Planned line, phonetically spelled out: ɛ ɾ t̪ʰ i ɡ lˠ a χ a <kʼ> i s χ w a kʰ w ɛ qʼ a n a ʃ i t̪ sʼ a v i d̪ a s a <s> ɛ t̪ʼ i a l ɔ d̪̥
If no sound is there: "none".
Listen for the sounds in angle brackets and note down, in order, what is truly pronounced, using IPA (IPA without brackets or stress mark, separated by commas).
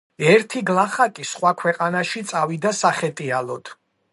kʼ, χ